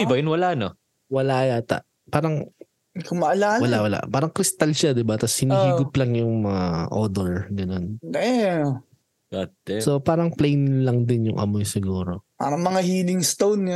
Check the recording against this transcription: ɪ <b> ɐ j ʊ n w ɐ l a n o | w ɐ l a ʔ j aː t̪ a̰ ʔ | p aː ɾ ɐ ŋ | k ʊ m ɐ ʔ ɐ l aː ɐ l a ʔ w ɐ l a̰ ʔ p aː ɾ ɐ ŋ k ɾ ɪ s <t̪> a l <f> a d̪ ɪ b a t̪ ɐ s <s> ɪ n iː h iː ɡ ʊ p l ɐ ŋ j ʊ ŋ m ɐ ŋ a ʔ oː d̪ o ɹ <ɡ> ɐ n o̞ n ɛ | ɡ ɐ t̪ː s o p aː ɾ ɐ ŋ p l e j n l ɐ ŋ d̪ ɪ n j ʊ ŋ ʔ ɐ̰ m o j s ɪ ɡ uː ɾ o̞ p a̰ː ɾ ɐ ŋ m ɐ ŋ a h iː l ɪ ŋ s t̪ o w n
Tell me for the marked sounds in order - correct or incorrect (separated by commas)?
correct, correct, incorrect, incorrect, correct